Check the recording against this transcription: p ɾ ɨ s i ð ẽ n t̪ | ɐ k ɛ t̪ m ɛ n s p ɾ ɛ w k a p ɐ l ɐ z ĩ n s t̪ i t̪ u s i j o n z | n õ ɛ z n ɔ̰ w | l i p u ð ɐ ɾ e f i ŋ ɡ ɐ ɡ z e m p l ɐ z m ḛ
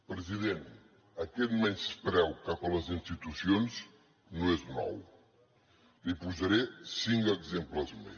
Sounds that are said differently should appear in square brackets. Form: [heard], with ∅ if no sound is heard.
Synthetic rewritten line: p ɾ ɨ [z] i ð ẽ n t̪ | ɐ k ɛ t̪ m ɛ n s p ɾ ɛ w k a p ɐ l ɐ z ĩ n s t̪ i t̪ u s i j o n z | n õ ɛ z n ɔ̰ w | l i p u [z] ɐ ɾ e [s] i ŋ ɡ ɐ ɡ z e m p l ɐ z m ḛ